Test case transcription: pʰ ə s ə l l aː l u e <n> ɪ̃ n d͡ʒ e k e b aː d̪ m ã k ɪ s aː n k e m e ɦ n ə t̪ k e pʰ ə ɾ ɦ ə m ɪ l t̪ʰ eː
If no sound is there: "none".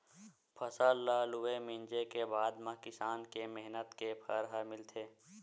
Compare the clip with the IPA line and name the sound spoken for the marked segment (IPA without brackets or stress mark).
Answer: m